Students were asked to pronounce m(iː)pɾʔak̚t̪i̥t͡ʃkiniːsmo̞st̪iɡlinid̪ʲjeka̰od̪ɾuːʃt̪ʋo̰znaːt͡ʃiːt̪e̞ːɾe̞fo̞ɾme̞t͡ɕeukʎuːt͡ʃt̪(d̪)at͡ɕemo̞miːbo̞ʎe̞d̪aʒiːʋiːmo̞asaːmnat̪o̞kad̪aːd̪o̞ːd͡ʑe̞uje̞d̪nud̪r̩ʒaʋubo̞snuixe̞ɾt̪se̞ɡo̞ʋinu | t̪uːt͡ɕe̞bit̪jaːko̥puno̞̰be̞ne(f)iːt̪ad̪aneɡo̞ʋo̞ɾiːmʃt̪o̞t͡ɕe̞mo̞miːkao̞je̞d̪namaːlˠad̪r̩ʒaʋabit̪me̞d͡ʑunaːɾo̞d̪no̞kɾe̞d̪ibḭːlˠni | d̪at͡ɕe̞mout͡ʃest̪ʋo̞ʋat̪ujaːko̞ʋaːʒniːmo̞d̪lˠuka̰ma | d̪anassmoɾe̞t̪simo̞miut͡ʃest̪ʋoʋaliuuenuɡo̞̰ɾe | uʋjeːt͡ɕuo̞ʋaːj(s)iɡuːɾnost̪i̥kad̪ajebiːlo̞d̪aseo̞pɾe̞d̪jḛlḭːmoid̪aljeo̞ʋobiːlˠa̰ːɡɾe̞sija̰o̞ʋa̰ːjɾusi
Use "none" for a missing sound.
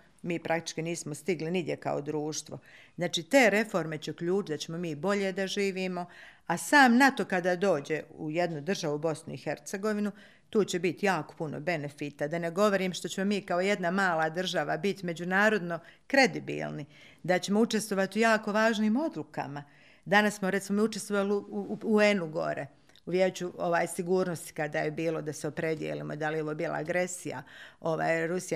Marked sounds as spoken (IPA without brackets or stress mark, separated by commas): iː, d̪, f, s